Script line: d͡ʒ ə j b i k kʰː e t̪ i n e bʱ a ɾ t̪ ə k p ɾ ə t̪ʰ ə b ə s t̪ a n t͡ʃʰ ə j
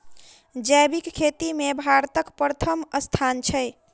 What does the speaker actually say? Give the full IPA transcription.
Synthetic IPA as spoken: d͡ʒ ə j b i k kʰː e t̪ i m e bʱ a ɾ t̪ ə k p ɾ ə t̪ʰ ə m ə s t̪ʰ a n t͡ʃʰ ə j

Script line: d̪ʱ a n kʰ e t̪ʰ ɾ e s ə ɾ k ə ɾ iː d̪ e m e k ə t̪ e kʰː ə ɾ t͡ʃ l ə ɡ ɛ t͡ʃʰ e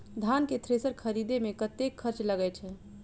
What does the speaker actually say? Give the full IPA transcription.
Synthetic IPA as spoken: d̪ʱ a n k e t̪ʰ ɾ e s ə ɾ kʰ ə ɾ i d̪ e m e k ə t̪ e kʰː ə ɾ t͡ʃ l ə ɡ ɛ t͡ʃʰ ɛ

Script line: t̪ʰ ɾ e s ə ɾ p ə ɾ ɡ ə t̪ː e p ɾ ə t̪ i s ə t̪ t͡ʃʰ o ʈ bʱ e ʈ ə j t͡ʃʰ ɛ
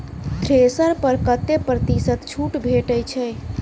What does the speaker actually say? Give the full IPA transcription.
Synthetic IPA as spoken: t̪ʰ ɾ e s ə ɾ p ə ɾ k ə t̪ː e p ɾ ə t̪ i s ə t̪ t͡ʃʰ u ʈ bʱ e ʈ ə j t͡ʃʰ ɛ

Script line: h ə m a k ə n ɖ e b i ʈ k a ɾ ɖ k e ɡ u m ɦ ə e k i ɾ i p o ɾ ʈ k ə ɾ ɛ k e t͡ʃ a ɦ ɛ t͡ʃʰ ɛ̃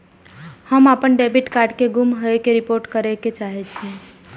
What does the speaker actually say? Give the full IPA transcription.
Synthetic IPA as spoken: h ə m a p ə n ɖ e b i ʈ k a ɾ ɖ k e ɡ u m ɦ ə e k e ɾ i p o ɾ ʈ k ə ɾ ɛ k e t͡ʃ a ɦ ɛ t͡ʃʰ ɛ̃

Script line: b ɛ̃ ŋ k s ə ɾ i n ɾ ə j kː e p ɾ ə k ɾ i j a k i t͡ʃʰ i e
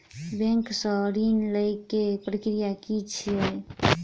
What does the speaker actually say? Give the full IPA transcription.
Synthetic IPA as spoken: b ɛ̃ ŋ k s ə ɾ i n l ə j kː e p ɾ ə k ɾ i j a k i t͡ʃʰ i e

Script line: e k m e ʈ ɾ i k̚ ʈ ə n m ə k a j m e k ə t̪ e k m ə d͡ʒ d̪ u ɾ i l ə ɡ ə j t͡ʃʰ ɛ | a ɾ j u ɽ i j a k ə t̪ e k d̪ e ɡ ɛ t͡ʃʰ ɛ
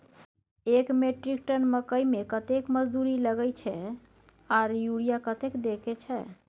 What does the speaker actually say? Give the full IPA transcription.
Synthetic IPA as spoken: e k m e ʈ ɾ i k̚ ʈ ə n m ə k ə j m e k ə t̪ e k m ə d͡ʒ d̪ u ɾ i l ə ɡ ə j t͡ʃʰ ɛ | a ɾ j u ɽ i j a k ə t̪ e k d̪ e k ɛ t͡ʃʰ ɛ

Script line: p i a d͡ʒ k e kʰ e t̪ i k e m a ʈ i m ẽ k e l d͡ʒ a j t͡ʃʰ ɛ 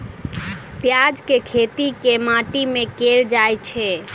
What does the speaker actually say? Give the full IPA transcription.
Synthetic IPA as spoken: p j a d͡ʒ k e kʰ e t̪ i k e m a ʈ i m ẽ k e l d͡ʒ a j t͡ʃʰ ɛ

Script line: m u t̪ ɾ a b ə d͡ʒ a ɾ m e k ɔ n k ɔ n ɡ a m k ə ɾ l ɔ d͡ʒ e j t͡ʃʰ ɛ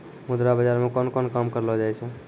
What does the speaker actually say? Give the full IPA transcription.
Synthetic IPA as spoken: m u d̪ ɾ a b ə d͡ʒ a ɾ m e k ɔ n k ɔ n k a m k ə ɾ l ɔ d͡ʒ a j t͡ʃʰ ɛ

